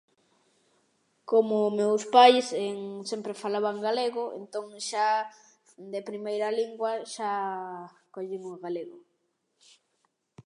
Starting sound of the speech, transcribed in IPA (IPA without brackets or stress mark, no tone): k